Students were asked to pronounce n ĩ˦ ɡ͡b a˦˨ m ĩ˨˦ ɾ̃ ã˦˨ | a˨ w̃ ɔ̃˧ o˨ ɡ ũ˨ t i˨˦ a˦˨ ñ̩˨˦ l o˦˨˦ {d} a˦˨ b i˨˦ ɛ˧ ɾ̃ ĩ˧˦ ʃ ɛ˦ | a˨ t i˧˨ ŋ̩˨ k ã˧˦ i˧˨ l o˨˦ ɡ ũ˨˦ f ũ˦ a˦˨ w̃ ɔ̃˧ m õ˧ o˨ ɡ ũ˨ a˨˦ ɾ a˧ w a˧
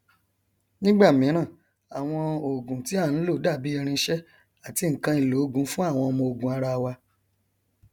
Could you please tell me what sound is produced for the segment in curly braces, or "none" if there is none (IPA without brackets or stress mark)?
d